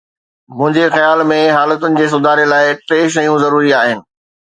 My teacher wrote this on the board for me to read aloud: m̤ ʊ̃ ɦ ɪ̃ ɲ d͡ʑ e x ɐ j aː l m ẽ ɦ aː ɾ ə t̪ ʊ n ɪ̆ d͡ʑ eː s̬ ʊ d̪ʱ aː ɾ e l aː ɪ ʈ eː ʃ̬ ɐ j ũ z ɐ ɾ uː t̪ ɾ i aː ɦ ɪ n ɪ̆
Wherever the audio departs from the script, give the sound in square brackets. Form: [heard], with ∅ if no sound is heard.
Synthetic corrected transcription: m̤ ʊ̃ ɦ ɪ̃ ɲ d͡ʑ e x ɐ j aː l m ẽ ɦ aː [l] ə t̪ ʊ n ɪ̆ d͡ʑ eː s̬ ʊ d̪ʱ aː ɾ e l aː ɪ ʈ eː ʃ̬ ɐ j ũ z ɐ ɾ uː [∅] ɾ i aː ɦ ɪ n ɪ̆